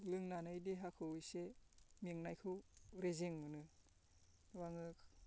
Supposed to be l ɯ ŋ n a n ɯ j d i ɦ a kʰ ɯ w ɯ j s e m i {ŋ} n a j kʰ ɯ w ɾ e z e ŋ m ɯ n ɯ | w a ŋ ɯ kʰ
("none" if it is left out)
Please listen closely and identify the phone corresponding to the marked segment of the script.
ŋ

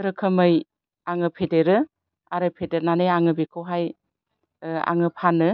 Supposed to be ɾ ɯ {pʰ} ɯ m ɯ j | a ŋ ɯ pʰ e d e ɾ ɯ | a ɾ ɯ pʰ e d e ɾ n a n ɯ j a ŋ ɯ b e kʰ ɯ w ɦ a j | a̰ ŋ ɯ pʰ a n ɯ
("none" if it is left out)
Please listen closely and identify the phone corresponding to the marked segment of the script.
kʰ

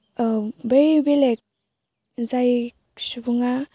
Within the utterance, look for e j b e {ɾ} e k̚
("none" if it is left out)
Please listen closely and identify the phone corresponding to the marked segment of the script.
l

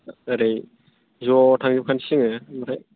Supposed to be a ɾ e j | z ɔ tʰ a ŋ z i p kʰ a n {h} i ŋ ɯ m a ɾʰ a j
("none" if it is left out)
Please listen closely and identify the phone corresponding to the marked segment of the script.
s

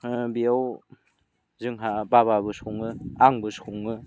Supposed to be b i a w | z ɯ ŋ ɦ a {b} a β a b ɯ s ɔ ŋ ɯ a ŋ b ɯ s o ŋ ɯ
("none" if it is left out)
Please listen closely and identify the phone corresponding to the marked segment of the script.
b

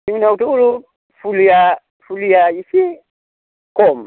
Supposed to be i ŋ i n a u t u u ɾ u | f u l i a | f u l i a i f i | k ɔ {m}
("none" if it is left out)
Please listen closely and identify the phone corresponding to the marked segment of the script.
m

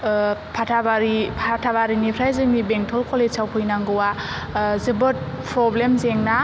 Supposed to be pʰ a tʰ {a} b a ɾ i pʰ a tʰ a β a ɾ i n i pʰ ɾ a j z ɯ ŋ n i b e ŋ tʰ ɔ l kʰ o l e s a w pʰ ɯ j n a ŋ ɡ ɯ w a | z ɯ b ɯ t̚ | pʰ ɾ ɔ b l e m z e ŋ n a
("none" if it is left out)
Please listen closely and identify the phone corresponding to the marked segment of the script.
a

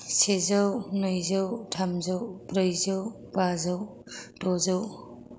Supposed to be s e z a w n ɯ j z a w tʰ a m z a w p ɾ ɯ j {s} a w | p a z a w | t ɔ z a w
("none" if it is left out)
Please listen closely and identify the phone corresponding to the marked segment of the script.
z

